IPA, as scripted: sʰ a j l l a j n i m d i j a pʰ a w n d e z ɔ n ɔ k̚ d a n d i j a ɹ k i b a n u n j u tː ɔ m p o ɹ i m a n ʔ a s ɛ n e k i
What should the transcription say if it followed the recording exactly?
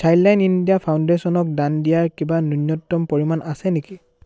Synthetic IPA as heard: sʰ a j l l a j n i n d i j a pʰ a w n d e s ɔ n ɔ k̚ d a n d i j a ɹ k i b a n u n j ɔ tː ɔ m p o ɹ i m a n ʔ a s ɛ n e k i